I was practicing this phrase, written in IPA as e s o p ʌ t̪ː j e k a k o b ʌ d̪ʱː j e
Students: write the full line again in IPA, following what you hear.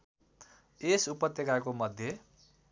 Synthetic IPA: e s u p ʌ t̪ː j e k a k o m ʌ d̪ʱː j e